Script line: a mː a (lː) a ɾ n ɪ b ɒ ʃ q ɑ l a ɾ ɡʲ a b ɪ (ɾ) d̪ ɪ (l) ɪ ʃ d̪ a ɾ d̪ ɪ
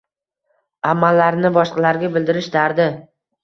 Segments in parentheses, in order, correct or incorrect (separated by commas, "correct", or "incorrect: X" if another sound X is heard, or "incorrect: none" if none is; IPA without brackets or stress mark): correct, incorrect: l, incorrect: ɾ